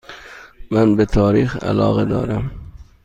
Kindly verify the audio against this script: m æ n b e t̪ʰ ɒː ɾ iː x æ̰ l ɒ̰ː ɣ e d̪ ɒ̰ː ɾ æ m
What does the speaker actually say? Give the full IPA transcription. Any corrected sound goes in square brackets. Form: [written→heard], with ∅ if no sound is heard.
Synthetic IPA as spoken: m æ n b e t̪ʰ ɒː ɾ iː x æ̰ l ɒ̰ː ɣ e d̪ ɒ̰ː ɾ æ m

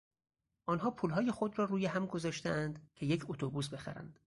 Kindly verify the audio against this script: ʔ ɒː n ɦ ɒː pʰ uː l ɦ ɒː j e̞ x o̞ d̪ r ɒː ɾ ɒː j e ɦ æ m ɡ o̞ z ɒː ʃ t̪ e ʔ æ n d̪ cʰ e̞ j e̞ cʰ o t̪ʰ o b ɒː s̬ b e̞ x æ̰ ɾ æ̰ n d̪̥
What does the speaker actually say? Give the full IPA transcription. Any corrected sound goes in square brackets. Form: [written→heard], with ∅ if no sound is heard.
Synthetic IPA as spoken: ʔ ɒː n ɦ ɒː pʰ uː l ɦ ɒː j e̞ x o̞ d̪ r ɒː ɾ [ɒː→uː] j e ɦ æ m ɡ o̞ z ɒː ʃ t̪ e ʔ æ n d̪ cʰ e̞ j e̞ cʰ o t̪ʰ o b [ɒː→uː] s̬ b e̞ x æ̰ ɾ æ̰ n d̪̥

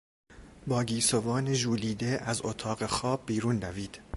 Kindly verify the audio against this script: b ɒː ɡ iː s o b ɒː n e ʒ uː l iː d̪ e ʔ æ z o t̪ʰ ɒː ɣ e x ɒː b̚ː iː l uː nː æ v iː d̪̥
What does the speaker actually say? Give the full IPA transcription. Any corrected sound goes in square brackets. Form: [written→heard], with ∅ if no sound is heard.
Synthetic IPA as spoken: b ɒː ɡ iː s o [b→v] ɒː n e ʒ uː l iː d̪ e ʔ æ z o t̪ʰ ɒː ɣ e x ɒː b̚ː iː [l→ɾ] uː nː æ v iː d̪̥

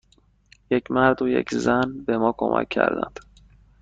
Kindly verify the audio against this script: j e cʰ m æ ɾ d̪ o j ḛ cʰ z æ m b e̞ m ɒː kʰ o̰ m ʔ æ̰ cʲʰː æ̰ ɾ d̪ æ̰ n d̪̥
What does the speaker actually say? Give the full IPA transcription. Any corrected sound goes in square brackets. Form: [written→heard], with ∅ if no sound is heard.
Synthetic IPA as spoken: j e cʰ m æ ɾ d̪ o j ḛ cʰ z æ [m→n] b e̞ m ɒː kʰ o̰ m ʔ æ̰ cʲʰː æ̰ ɾ d̪ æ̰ n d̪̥

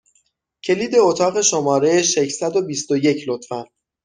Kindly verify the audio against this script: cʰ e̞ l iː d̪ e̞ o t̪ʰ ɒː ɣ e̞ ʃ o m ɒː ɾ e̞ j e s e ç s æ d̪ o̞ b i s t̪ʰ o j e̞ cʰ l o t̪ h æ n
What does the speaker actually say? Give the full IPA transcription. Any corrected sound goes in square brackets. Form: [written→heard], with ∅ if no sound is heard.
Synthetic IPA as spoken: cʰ e̞ l iː d̪ e̞ o t̪ʰ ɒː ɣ e̞ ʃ o m ɒː ɾ e̞ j e [s→ʃ] e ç s æ d̪ o̞ b i s [t̪ʰ→t̪] o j e̞ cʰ l o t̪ [h→f] æ n

